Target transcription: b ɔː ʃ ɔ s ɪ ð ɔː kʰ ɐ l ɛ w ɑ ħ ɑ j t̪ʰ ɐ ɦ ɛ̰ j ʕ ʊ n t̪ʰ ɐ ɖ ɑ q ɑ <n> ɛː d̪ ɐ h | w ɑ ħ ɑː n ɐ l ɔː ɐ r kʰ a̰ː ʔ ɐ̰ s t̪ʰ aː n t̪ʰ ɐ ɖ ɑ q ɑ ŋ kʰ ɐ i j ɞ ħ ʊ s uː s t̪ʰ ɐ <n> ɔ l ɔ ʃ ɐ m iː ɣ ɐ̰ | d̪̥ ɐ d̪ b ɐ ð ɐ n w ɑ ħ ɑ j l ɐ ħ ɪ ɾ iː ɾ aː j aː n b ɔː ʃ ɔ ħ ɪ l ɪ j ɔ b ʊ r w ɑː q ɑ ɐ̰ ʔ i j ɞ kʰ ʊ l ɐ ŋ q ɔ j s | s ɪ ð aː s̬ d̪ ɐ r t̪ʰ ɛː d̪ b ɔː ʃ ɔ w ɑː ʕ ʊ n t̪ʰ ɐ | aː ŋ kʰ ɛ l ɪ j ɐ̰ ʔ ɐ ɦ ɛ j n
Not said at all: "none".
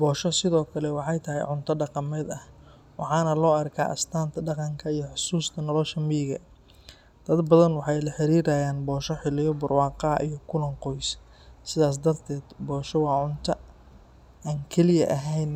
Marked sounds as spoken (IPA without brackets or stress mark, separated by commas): m, n